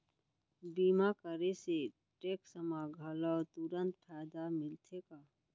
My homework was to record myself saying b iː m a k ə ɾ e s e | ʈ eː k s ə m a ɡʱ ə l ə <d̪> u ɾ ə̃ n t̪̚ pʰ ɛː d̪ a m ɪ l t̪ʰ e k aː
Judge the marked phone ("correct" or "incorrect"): incorrect